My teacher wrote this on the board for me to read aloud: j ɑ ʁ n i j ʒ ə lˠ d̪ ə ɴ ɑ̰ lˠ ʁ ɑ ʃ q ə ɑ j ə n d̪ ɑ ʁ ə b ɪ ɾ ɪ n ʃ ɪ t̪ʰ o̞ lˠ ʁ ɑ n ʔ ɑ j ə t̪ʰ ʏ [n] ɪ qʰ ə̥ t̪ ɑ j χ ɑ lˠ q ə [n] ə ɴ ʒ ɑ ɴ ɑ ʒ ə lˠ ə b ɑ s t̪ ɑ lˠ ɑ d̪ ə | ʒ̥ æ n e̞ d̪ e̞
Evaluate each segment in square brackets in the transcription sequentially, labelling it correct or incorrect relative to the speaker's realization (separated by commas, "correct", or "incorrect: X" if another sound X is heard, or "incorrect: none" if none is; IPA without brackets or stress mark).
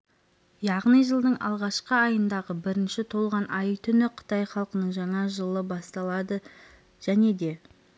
correct, correct